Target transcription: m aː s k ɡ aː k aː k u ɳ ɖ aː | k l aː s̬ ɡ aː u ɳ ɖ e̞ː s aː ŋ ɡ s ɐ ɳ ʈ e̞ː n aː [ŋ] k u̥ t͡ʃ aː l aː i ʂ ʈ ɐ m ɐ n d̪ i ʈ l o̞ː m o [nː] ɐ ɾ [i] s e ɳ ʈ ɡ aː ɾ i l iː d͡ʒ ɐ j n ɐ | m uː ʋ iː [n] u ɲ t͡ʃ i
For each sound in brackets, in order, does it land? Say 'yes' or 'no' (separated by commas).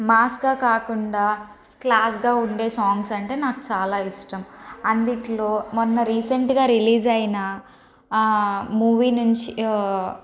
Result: no, yes, no, yes